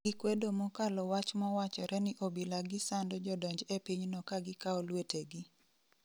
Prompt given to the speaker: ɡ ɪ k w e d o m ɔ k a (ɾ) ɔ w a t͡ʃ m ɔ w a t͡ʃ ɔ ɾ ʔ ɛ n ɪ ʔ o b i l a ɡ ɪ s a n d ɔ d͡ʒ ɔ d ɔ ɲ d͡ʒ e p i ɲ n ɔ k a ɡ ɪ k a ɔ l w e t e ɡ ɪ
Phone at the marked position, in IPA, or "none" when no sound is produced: l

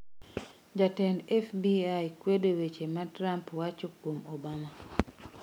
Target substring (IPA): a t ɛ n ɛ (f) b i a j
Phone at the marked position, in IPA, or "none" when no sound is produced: f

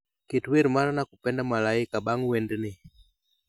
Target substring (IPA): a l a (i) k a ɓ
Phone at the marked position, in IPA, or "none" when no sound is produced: i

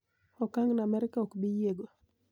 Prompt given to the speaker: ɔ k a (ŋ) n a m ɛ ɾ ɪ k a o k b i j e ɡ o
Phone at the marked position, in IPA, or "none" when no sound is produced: ŋ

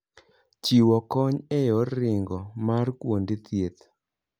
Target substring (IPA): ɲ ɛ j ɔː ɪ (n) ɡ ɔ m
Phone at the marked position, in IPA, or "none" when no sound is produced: ŋ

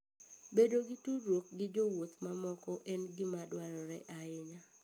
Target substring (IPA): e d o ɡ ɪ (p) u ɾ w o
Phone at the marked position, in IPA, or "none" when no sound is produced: t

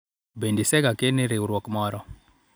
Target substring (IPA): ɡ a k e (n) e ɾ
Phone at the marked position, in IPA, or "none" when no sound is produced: n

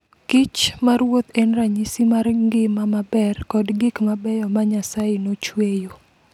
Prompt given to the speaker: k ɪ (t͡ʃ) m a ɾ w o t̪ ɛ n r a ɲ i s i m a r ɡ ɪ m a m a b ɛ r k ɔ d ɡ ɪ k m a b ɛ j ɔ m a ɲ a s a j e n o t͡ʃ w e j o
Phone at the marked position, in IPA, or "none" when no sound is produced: t͡ʃ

